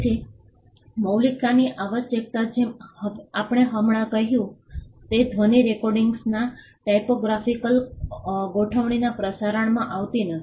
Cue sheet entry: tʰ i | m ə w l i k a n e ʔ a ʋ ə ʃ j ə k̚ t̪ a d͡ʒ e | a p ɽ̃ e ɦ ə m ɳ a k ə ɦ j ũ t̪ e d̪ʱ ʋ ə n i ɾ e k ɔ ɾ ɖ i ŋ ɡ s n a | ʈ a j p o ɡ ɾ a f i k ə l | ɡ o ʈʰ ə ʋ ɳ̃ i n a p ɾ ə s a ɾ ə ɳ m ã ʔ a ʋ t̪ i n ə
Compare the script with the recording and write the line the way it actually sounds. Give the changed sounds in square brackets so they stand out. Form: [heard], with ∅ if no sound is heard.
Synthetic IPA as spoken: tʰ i | m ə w l i k a n [i] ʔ a ʋ ə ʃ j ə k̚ t̪ a d͡ʒ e | a p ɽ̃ e ɦ ə m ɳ a k ə ɦ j ũ t̪ e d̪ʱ ʋ ə n i ɾ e k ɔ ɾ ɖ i ŋ ɡ s n a | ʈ a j p o ɡ ɾ a f i k ə l | ɡ o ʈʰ ə ʋ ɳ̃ i n a p ɾ ə s a ɾ ə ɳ m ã ʔ a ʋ t̪ i n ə